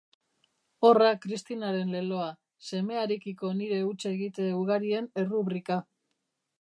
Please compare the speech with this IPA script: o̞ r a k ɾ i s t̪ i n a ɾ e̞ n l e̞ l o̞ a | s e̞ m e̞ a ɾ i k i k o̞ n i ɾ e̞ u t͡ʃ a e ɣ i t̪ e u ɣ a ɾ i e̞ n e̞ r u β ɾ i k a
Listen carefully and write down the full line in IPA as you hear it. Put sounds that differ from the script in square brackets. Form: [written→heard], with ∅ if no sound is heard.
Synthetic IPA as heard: o̞ r a k ɾ i s t̪ i n a ɾ e̞ n l e̞ l o̞ a | s e̞ m e̞ a ɾ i k i k o̞ n i ɾ e̞ u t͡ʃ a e ɣ i t̪ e u ɣ a ɾ i e̞ n e̞ r u β ɾ i k a